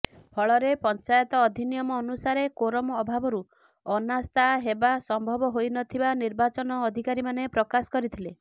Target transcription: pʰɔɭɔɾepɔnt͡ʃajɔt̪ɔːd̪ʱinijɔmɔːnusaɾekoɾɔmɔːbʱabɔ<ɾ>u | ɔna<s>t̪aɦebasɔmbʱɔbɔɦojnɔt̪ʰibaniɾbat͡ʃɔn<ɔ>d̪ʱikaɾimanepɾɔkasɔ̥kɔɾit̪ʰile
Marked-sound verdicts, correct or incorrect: correct, correct, incorrect: ɔː

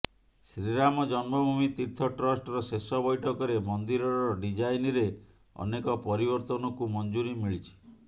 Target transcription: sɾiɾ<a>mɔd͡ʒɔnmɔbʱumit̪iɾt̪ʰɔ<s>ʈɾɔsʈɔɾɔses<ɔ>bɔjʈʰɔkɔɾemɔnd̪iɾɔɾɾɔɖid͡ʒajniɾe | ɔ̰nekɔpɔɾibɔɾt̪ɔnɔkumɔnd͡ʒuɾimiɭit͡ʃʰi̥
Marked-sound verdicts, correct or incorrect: correct, incorrect: none, correct

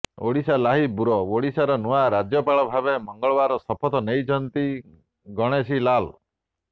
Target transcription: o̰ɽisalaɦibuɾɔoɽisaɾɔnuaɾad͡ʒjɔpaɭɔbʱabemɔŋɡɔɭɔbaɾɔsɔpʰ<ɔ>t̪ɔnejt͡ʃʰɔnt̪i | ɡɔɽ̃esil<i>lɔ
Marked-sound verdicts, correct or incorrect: correct, incorrect: a

